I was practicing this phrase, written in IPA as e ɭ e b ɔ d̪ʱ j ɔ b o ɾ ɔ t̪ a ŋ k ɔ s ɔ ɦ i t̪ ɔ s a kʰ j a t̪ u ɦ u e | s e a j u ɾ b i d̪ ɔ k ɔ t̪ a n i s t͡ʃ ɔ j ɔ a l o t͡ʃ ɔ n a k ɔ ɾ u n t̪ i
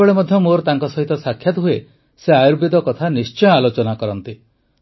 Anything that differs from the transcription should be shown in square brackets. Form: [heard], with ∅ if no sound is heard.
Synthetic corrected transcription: e ɭ e [m] ɔ d̪ʱ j ɔ [m] o ɾ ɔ t̪ a ŋ k ɔ s ɔ ɦ i t̪ ɔ s a kʰ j a t̪ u ɦ u e | s e a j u ɾ b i d̪ ɔ k ɔ [t̪ʰ] a n i s t͡ʃ ɔ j ɔ a l o t͡ʃ ɔ n a k ɔ ɾ [ɔ] n t̪ i